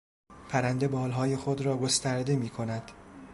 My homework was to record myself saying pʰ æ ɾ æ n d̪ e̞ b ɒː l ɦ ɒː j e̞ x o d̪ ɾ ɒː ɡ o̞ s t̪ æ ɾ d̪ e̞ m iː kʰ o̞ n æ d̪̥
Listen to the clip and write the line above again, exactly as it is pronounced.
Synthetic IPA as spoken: pʰ æ ɾ æ n d̪ e̞ b ɒː l ɦ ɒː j e̞ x o d̪ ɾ ɒː ɡ o̞ s t̪ æ ɾ d̪ e̞ m iː kʰ o̞ n æ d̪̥